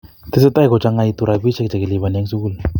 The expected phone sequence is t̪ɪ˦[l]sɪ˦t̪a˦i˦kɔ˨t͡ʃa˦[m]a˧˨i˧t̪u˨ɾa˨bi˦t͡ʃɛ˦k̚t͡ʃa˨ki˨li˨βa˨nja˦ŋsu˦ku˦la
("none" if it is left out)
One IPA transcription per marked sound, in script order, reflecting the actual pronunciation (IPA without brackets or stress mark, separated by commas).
none, ŋ